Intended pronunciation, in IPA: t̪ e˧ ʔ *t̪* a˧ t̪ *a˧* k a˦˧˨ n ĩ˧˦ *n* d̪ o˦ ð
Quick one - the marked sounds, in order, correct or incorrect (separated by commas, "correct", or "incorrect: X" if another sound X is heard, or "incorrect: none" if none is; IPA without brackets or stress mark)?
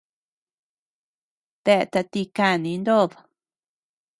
correct, incorrect: i˧, correct